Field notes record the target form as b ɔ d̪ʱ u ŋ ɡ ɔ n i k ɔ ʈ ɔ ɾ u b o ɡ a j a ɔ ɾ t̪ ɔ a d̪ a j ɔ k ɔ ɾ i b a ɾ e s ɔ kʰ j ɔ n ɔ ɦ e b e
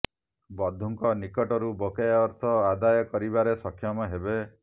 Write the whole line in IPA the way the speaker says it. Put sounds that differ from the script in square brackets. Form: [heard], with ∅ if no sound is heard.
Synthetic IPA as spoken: b ɔ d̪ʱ u ŋ [k] ɔ n i k ɔ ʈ ɔ ɾ u b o [k] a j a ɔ ɾ [t̪ʰ] ɔ a d̪ a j ɔ k ɔ ɾ i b a ɾ e s ɔ kʰ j ɔ [m] ɔ ɦ e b e